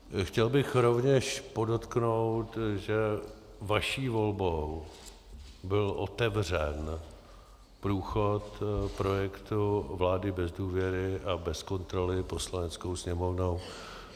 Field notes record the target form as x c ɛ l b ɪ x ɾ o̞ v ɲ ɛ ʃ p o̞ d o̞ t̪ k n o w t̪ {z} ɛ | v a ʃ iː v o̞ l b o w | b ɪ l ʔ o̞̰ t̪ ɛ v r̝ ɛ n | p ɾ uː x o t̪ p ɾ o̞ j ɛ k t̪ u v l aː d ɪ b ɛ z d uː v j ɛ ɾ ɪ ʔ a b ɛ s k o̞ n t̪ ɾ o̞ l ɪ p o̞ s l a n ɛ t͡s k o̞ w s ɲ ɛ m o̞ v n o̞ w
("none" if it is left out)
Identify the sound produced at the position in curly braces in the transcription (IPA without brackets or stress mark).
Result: ʒ